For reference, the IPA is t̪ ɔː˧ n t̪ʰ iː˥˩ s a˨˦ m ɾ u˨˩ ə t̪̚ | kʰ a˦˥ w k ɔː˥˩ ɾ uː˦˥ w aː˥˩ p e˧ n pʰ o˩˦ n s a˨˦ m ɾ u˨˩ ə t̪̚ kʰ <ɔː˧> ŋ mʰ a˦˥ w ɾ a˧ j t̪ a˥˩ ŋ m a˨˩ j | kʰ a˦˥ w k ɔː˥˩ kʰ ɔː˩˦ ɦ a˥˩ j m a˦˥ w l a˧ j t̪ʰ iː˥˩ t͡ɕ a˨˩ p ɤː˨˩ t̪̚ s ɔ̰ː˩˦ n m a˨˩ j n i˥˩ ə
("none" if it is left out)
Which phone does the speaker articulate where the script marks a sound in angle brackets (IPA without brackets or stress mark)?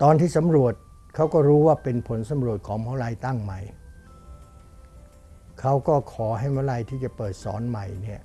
ɔː˩˦